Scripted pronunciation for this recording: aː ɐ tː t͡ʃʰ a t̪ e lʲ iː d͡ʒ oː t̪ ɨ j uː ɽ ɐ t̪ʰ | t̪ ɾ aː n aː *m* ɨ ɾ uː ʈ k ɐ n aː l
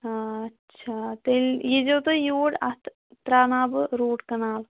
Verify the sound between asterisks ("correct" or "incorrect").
incorrect